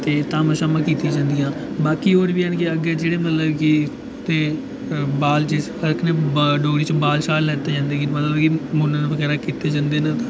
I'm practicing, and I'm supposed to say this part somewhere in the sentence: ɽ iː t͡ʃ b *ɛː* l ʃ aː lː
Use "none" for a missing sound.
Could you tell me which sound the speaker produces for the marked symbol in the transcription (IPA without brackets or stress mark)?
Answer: aː